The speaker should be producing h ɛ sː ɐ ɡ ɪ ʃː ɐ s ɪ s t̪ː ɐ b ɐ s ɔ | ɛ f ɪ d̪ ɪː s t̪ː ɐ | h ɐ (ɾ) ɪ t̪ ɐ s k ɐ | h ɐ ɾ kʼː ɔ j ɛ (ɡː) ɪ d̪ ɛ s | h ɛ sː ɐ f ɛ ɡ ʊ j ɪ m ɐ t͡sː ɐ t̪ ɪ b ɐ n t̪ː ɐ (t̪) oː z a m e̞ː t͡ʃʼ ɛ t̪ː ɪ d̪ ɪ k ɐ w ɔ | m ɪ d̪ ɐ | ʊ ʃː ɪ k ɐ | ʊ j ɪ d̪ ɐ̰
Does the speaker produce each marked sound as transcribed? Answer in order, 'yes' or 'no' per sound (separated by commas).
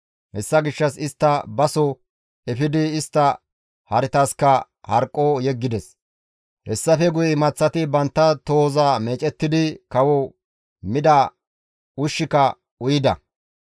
yes, yes, yes